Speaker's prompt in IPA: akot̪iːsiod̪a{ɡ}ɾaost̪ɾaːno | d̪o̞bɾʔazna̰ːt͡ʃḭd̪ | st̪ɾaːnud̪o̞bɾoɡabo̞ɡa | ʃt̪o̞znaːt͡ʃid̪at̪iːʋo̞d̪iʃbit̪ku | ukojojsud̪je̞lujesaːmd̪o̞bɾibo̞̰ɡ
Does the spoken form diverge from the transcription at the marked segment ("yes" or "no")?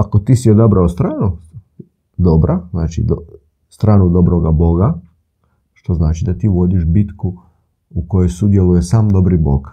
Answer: yes